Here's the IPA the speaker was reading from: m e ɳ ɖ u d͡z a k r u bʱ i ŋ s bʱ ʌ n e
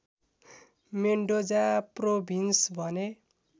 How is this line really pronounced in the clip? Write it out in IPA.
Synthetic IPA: m e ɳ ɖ o d͡z a p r o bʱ i n s bʱ ʌ n e